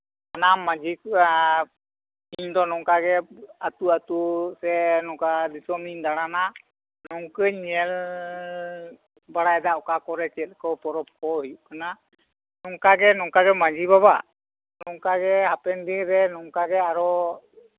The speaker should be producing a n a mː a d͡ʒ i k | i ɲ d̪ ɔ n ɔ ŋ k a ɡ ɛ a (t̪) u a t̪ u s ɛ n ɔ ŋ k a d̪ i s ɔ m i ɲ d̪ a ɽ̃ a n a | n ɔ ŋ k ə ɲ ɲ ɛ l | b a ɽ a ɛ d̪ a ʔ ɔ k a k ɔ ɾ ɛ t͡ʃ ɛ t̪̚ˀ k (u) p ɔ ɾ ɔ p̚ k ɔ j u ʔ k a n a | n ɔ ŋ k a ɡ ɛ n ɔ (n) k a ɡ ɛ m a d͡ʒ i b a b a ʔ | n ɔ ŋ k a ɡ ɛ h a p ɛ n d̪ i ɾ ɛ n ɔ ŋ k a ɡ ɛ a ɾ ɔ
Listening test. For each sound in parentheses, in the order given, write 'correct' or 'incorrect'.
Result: correct, incorrect: ɔ, incorrect: ŋ

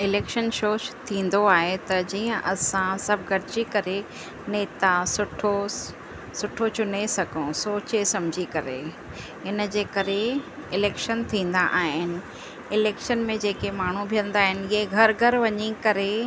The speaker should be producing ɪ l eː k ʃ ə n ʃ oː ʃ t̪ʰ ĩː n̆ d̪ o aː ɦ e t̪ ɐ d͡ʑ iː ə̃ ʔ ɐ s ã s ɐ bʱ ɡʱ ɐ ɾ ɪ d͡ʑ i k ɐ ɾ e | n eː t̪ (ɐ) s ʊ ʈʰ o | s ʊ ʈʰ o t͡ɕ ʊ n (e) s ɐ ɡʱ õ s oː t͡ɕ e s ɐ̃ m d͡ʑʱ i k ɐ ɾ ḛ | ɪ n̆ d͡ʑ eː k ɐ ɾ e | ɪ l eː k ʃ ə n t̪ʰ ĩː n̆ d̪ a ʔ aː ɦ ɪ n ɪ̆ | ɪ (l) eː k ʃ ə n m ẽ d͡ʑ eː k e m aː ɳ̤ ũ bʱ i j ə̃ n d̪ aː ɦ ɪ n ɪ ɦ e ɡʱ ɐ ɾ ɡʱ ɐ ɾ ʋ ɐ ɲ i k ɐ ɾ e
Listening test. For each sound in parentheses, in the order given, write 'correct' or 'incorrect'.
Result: incorrect: a, correct, correct

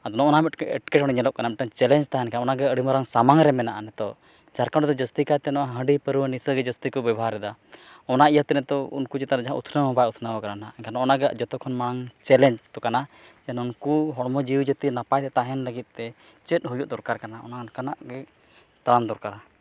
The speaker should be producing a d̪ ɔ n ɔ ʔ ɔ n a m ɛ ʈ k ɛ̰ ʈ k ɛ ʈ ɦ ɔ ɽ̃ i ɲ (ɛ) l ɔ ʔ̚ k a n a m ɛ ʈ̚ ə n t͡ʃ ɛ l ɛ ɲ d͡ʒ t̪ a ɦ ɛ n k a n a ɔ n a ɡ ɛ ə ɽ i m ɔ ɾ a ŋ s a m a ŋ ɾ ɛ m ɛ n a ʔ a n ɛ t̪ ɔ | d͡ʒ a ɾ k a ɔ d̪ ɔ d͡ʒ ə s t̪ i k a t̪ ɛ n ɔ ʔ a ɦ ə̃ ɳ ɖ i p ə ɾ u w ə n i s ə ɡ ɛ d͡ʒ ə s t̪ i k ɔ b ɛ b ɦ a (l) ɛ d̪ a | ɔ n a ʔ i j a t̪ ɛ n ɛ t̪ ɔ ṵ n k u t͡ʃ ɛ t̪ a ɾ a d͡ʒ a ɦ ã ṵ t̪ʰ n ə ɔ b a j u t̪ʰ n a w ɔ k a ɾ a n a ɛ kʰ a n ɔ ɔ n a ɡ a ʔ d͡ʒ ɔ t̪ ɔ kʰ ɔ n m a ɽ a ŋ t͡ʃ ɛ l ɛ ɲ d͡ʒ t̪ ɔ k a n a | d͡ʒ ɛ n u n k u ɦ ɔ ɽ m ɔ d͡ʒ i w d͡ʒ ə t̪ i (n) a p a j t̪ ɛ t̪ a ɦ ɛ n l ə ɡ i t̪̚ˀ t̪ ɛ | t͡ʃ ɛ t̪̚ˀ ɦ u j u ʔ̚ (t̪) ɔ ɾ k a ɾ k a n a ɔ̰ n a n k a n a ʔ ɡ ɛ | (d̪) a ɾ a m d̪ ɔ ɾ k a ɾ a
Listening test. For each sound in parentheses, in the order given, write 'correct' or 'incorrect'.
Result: correct, incorrect: ɾ, correct, incorrect: d̪, incorrect: t̪

